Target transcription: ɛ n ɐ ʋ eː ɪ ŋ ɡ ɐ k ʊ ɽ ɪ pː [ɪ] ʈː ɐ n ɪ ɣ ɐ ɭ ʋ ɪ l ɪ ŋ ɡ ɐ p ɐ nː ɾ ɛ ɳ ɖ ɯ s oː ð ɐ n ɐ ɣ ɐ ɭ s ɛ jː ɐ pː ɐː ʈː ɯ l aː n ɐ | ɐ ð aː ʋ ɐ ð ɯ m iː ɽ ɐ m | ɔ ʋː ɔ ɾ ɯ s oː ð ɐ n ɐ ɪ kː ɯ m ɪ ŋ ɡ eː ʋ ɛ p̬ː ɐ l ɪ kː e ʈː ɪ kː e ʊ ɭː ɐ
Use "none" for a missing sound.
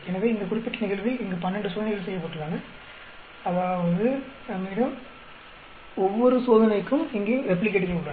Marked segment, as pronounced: ɪ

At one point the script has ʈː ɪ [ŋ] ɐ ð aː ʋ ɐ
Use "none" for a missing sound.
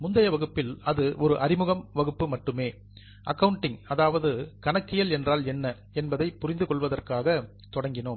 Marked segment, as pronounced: ŋ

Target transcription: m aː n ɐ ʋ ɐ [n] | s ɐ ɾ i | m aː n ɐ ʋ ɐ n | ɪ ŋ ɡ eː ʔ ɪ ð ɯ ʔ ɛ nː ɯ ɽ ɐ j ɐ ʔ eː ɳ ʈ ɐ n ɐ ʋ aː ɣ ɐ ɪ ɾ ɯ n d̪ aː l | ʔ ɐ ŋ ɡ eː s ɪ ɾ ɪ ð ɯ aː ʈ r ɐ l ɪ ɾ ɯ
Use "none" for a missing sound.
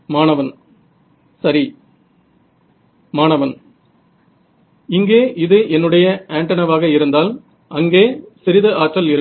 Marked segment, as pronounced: n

